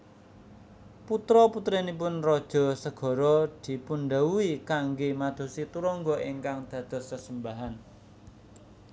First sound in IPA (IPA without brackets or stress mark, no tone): p